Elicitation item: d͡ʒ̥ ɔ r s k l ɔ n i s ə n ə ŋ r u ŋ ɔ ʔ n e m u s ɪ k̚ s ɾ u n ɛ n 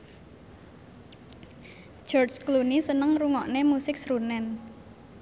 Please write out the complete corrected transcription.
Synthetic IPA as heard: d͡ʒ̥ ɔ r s k l u n i s ə n ə ŋ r u ŋ ɔ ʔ n e m u s ɪ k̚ s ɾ u n ɛ n